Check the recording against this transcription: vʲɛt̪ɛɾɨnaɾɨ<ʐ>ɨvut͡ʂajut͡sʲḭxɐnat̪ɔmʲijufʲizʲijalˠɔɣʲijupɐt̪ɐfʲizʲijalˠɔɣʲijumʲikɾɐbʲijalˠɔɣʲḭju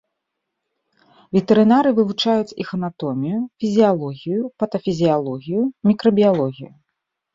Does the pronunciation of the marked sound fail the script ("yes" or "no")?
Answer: yes